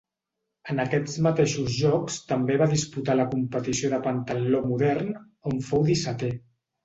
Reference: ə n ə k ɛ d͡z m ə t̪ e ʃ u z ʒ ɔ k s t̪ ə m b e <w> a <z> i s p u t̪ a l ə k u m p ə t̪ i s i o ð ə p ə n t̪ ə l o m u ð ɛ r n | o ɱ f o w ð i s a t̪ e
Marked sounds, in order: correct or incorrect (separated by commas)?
incorrect, incorrect